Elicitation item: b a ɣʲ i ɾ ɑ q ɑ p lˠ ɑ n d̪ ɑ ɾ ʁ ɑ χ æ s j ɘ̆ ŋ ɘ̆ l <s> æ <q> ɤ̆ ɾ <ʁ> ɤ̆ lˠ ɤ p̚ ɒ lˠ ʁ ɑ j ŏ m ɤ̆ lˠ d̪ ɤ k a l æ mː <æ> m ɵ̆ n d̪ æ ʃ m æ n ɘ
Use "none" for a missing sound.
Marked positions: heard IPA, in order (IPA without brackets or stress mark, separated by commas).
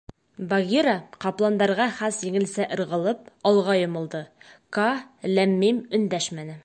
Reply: s, ʔ, ʁ, i